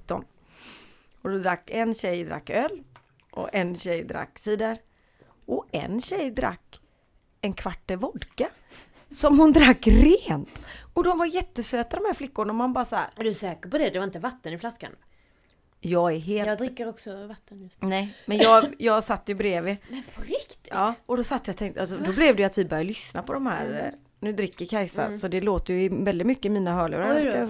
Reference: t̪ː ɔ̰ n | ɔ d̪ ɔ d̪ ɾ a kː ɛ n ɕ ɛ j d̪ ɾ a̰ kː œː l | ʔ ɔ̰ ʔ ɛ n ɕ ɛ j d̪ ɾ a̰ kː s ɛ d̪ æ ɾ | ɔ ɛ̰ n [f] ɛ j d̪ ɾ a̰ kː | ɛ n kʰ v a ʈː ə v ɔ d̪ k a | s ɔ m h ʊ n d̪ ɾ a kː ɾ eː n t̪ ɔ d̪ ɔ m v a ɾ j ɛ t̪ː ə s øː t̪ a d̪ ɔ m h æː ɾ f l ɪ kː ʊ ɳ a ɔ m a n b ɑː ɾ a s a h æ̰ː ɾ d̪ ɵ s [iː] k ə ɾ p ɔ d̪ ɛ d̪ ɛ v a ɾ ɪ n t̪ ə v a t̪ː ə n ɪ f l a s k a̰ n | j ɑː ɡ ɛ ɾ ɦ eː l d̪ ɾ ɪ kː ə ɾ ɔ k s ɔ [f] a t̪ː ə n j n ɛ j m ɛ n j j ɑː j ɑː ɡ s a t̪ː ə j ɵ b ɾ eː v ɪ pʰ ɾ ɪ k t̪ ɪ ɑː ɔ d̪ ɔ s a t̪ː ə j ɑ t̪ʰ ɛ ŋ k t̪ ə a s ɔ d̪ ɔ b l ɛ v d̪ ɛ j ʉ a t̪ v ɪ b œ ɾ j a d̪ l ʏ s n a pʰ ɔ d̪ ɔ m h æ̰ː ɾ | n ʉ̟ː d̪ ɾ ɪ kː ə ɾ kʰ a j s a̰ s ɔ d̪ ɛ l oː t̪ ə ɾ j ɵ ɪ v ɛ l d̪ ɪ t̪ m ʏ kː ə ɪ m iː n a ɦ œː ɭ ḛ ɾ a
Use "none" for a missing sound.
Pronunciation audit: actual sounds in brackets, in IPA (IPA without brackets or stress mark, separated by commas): ɕ, ɛː, v